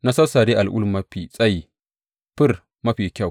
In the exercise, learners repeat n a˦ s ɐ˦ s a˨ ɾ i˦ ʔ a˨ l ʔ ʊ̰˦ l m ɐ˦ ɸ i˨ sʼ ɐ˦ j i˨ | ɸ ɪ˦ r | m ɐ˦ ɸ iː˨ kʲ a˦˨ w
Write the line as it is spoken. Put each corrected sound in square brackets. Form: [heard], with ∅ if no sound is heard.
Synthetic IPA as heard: n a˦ s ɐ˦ s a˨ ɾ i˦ ʔ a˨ l ʔ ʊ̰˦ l m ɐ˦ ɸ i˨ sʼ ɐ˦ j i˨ | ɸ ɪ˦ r | m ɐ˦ ɸ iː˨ kʲ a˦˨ w